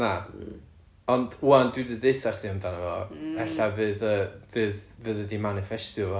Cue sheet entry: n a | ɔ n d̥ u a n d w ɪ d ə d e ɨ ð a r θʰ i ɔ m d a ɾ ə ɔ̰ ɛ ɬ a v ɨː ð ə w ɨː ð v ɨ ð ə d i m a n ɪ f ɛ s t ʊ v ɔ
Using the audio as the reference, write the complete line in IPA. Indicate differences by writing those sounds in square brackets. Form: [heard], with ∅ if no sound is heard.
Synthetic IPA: n a | ɔ n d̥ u a n d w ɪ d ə d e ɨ [θ] a r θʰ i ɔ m d a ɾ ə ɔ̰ ɛ ɬ a v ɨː ð ə [v] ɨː ð v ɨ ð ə d i m a n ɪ f ɛ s t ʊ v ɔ